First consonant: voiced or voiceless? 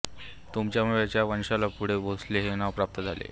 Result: voiceless